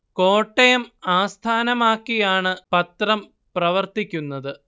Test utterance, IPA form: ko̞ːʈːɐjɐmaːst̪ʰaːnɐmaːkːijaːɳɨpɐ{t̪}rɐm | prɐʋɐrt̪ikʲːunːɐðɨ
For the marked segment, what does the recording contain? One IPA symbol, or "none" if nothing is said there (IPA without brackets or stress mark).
t̪